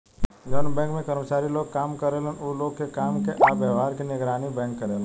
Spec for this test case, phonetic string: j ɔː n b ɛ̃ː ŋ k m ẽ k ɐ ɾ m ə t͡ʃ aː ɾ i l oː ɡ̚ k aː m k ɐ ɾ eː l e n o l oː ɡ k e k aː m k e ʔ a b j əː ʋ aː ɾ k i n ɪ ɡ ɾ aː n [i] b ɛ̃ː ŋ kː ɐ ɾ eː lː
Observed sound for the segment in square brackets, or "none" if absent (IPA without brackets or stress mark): i